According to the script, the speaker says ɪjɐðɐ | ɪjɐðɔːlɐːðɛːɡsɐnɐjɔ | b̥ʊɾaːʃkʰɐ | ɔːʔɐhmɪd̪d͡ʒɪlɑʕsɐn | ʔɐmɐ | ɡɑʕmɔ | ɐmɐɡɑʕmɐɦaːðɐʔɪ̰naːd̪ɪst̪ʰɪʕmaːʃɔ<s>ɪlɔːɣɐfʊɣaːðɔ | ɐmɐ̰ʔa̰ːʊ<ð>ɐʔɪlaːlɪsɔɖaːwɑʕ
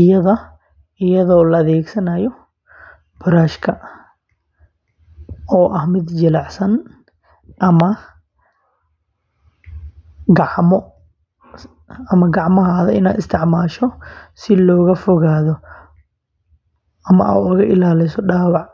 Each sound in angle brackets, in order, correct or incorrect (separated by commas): correct, incorrect